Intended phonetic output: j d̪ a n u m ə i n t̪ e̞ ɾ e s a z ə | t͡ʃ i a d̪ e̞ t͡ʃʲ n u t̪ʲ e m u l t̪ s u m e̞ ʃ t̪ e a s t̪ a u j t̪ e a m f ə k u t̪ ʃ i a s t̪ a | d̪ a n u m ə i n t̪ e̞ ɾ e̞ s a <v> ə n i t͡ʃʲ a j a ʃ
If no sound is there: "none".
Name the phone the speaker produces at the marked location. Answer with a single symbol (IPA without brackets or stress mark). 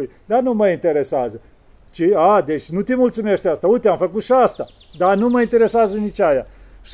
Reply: z